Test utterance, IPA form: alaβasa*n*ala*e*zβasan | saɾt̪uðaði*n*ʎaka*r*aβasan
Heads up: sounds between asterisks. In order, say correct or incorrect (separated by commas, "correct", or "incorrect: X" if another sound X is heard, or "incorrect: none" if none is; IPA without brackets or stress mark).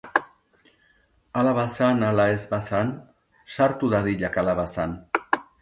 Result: correct, correct, incorrect: none, incorrect: l